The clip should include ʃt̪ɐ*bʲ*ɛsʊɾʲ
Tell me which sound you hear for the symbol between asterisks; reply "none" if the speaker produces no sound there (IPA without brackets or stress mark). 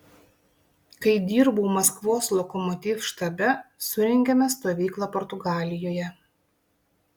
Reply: bʲ